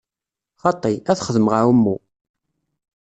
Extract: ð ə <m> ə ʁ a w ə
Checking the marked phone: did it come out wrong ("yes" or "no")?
no